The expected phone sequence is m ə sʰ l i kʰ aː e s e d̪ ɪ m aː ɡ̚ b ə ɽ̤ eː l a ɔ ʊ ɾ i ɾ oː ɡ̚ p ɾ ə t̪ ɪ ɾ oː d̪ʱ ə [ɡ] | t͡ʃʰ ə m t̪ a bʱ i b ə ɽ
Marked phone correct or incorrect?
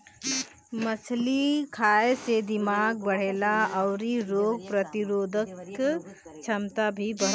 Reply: incorrect